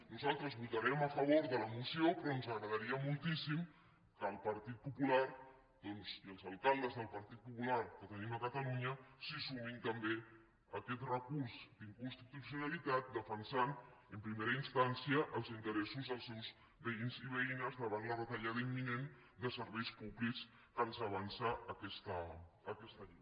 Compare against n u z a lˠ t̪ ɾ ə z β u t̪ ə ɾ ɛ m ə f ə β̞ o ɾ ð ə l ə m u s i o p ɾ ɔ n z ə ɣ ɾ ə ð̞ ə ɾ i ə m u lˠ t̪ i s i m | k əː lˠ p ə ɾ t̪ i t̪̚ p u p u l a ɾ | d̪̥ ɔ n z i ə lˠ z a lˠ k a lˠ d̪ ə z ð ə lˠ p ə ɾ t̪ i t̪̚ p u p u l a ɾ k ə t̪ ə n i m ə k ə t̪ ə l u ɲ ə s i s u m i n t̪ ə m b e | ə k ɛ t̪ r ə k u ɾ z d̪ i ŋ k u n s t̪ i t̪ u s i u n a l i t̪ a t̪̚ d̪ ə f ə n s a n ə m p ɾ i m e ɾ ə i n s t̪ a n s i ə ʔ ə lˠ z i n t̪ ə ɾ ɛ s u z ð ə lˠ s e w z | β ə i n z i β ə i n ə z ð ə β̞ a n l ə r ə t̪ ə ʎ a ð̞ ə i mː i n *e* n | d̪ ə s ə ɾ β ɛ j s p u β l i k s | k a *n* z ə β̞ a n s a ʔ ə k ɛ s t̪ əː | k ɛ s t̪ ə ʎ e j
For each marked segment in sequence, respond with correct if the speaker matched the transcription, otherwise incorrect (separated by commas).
correct, correct